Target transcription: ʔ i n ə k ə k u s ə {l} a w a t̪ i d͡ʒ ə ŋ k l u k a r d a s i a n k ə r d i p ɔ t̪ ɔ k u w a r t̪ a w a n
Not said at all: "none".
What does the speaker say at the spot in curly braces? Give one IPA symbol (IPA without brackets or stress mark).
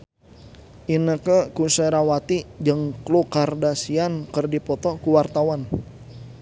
ɾ